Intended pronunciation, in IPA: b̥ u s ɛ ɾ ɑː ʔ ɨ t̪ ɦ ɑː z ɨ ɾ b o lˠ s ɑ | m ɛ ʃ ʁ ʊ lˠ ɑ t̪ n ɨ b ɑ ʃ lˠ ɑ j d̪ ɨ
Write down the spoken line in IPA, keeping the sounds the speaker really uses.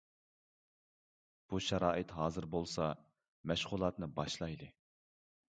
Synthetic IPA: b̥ u ʃ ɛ ɾ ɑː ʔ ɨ t̪ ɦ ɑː z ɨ ɾ b o lˠ s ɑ | m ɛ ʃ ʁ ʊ lˠ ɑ t̪ n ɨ b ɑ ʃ lˠ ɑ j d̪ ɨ